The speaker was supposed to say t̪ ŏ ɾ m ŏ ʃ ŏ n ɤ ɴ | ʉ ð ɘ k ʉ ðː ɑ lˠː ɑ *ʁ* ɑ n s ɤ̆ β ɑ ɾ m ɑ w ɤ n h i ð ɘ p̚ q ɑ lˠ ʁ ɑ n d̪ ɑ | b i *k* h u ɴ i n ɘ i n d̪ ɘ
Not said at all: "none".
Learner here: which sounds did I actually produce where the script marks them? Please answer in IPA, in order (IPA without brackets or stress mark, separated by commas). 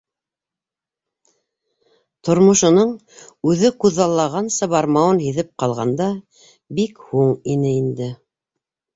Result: ʁ, k